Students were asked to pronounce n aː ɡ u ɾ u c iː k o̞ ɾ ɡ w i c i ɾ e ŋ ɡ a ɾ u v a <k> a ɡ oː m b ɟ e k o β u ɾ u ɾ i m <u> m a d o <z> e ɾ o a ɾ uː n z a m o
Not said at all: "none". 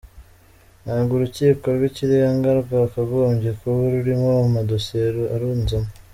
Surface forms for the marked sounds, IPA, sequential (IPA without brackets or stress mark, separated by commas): k, o, s